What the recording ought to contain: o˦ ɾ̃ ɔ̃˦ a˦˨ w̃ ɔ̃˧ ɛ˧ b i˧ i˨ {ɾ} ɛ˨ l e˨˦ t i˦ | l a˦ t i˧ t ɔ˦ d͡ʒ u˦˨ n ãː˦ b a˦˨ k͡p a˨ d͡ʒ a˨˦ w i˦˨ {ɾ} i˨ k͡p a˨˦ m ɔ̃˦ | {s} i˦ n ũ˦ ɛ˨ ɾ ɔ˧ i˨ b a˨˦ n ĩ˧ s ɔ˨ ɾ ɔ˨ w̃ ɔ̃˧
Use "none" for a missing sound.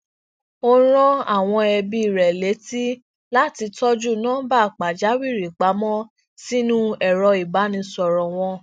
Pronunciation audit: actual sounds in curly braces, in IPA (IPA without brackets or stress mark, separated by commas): ɾ, ɾ, s